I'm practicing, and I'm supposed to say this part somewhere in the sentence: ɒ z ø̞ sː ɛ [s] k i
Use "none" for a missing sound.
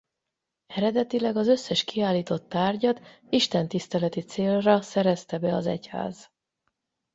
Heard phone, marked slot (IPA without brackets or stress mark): ʃ